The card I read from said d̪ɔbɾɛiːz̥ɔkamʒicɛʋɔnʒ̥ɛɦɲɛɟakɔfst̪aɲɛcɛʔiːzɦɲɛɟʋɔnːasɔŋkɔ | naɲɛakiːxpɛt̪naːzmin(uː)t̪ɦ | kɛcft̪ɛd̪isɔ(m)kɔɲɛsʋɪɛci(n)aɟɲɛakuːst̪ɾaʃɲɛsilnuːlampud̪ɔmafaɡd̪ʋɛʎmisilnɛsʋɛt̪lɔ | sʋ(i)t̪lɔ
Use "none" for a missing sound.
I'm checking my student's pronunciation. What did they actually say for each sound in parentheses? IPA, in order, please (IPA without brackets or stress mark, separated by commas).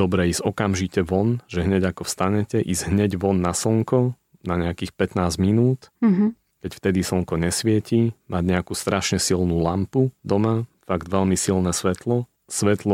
uː, ŋ, m, ɛ